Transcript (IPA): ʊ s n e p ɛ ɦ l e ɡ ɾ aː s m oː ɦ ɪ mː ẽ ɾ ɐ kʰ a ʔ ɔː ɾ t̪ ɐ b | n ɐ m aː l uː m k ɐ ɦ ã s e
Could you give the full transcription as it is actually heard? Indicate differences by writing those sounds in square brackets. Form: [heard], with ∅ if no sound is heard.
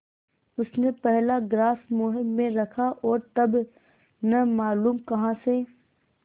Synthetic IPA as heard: ʊ s n e p ɛ ɦ l [a] ɡ ɾ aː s m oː ɦ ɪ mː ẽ ɾ ɐ kʰ a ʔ ɔː ɾ t̪ ɐ b | n ɐ m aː l uː m k ɐ ɦ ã s e